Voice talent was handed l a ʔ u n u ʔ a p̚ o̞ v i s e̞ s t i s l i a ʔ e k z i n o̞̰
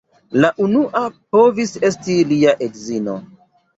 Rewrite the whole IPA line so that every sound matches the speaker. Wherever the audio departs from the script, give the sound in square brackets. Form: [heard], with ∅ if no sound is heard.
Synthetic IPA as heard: l a ʔ u n u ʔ a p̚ o̞ v i s e̞ s t i [∅] l i a ʔ e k z i n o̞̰